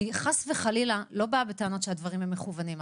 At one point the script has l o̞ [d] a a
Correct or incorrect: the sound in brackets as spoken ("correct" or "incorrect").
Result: incorrect